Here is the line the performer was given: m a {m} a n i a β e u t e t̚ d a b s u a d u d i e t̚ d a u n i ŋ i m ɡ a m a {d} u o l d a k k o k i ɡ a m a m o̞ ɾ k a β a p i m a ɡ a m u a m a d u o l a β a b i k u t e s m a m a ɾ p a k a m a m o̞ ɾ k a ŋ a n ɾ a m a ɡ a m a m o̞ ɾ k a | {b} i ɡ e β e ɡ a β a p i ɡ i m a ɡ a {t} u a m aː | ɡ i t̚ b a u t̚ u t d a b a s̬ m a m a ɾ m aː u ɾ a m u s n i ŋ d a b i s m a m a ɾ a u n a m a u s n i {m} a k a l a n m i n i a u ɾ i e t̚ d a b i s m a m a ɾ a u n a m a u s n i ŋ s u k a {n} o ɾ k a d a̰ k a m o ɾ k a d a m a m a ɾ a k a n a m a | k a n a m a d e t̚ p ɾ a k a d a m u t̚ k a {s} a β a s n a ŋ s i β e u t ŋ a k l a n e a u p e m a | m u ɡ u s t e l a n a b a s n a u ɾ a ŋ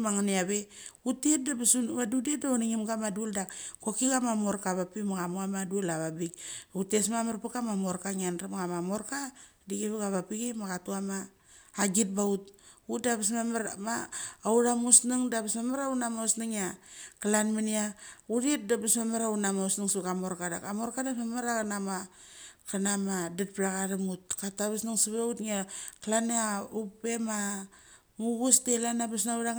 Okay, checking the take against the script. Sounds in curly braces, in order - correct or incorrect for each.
incorrect, correct, incorrect, correct, incorrect, incorrect, incorrect

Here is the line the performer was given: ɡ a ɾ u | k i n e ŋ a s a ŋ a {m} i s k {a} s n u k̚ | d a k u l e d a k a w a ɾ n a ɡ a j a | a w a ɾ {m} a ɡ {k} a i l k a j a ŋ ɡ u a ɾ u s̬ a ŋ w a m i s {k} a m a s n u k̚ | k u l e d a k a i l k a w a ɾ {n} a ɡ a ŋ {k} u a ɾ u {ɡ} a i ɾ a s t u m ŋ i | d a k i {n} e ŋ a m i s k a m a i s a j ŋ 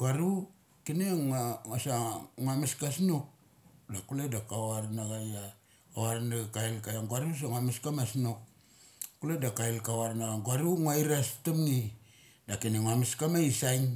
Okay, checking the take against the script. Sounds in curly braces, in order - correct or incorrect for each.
correct, correct, incorrect, correct, correct, correct, incorrect, incorrect, correct

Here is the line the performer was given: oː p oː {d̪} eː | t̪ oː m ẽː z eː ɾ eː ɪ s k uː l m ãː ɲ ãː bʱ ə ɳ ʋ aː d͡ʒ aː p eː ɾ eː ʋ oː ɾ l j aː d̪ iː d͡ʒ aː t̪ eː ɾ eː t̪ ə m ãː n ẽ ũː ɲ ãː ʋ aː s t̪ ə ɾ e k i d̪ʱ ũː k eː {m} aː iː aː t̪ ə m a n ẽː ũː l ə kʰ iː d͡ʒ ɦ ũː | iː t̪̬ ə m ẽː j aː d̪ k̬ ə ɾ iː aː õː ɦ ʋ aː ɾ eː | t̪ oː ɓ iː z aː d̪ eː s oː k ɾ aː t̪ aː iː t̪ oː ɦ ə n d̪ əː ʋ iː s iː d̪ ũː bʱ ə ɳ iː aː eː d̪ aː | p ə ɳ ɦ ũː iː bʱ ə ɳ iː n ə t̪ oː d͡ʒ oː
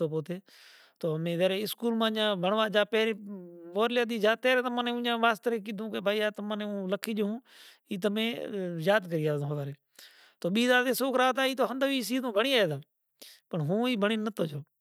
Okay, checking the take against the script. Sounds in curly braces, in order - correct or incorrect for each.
incorrect, incorrect

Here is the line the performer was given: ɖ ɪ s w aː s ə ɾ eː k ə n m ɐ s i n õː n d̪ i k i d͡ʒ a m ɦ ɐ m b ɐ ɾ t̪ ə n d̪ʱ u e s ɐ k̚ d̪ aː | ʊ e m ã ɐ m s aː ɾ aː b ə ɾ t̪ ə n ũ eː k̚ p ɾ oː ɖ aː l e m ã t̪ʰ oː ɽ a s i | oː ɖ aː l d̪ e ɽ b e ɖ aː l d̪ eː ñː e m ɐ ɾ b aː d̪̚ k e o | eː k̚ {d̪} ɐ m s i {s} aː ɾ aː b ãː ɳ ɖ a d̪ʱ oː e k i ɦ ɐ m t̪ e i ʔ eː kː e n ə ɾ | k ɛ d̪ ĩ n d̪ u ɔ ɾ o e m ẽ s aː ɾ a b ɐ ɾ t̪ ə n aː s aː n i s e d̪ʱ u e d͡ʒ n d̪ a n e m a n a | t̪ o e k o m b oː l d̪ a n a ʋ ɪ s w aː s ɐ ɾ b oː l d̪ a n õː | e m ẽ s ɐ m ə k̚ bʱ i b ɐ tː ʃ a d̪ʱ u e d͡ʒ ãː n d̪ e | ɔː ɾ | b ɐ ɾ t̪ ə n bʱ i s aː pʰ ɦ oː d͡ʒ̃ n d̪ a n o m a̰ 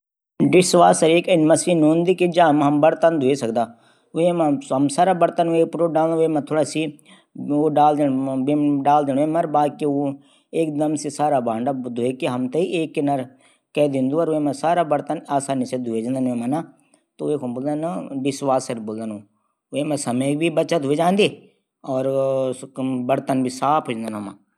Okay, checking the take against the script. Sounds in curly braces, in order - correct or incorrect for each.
correct, correct

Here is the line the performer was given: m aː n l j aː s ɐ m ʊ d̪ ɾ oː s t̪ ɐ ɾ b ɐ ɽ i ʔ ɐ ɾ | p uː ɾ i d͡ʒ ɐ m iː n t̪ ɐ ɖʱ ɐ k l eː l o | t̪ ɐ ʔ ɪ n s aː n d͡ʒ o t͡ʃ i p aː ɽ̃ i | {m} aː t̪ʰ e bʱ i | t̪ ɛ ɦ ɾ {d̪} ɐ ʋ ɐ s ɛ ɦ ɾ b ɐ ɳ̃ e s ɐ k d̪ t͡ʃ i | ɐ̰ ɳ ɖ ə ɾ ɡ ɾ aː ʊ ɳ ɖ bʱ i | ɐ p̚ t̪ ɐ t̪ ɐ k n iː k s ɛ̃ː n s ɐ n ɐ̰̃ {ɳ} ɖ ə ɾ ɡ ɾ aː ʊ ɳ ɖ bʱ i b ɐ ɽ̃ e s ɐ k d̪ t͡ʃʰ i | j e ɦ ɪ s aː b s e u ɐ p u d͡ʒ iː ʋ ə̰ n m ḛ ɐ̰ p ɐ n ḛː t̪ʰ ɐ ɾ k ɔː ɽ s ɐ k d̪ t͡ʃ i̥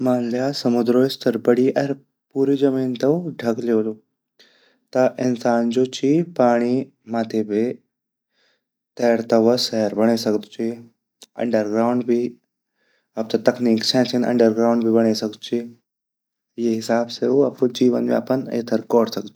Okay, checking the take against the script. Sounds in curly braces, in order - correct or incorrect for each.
correct, incorrect, correct

